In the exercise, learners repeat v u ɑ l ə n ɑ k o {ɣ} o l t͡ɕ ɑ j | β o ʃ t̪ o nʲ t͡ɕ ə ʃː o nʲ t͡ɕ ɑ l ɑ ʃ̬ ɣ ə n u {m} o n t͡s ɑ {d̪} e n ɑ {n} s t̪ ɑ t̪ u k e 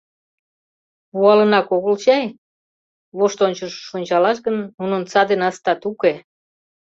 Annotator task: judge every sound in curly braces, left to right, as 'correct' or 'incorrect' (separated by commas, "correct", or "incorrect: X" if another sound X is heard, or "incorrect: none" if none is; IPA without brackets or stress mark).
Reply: correct, incorrect: n, correct, incorrect: none